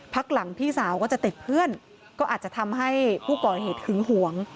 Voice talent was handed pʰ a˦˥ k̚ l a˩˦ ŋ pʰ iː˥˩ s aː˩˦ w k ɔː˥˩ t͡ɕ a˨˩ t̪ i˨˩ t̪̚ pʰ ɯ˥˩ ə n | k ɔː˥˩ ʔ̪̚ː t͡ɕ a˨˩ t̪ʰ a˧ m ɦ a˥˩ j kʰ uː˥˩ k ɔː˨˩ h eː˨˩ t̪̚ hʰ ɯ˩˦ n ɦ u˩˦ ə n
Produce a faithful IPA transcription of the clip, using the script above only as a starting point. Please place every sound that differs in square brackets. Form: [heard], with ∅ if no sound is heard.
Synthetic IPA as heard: pʰ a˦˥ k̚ l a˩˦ ŋ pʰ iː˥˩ s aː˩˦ w k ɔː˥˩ t͡ɕ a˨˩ t̪ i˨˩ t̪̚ pʰ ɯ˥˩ ə n | k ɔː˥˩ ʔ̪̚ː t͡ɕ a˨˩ t̪ʰ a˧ m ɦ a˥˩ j [pʰ] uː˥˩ k ɔː˨˩ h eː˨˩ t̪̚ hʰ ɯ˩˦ [ŋ] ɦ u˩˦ ə [ŋ]